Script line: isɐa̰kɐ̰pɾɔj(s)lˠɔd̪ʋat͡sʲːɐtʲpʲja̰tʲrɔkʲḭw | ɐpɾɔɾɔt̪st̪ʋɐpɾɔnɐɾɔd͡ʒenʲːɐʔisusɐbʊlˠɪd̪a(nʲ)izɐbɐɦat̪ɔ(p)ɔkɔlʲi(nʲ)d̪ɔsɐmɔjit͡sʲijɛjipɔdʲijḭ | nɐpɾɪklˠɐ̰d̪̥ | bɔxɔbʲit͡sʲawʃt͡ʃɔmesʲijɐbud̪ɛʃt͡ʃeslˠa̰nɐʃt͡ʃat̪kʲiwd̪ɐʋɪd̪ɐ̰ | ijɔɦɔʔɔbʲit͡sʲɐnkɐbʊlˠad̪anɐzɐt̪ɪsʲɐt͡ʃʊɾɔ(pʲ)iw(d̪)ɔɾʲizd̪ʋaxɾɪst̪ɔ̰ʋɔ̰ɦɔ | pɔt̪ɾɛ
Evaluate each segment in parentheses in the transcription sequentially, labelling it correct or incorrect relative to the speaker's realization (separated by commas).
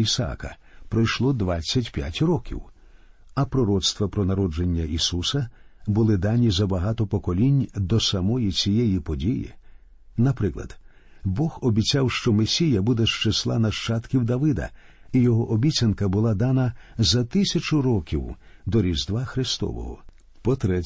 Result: incorrect, correct, correct, correct, incorrect, correct